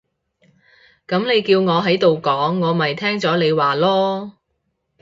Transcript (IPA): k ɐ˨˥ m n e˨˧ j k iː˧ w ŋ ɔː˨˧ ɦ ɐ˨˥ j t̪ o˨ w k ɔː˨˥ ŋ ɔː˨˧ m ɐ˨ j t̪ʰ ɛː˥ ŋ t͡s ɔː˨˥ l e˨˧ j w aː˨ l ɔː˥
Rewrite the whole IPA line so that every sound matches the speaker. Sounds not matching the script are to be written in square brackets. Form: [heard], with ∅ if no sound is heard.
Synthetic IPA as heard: k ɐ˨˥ m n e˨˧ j k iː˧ w ŋ ɔː˨˧ ɦ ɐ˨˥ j t̪ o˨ w k ɔː˨˥ [ŋː] ɔː˨˧ m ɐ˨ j t̪ʰ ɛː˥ ŋ t͡s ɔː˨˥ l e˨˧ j w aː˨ l ɔː˥